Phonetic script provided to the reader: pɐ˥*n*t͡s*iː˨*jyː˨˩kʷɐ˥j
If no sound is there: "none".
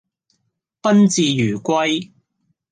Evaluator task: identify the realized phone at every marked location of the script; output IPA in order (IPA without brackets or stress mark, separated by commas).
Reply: n, iː˨